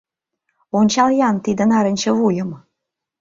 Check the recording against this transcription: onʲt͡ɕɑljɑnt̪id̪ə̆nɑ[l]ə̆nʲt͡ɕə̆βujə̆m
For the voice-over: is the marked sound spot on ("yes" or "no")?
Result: no